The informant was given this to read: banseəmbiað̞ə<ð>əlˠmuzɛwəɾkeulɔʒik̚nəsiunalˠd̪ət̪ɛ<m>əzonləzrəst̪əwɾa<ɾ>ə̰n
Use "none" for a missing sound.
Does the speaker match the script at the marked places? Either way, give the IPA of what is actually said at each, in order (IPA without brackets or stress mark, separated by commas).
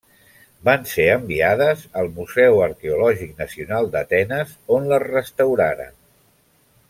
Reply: z, n, ɾ